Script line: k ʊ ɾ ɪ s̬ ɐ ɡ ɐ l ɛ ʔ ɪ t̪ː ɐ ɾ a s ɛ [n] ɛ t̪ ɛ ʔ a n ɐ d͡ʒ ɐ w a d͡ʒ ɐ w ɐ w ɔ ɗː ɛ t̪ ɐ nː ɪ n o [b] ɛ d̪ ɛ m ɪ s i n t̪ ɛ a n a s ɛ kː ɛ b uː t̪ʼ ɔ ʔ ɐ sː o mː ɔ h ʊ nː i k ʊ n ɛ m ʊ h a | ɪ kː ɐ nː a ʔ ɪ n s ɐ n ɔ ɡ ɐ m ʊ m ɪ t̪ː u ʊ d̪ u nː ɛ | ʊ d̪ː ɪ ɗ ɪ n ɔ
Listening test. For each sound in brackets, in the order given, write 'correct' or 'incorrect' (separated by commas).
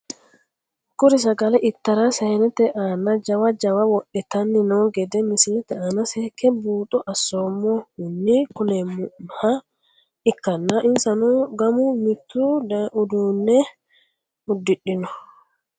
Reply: correct, incorrect